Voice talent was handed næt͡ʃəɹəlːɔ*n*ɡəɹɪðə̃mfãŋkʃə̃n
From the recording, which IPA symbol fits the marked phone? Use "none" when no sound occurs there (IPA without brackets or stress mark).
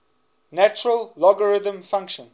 none